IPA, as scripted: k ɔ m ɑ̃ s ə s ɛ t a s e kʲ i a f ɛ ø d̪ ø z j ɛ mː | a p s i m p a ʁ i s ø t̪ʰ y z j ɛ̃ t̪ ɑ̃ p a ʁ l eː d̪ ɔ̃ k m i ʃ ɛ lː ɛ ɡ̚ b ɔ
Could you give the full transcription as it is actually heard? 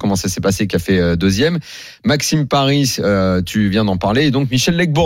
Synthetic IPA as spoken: k ɔ m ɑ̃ s a s ɛ p a s e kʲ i a f ɛ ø d̪ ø z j ɛ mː | a k s i m p a ʁ i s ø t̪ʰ y v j ɛ̃ d̪ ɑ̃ p a ʁ l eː d̪ ɔ̃ k m i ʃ ɛ lː ɛ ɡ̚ b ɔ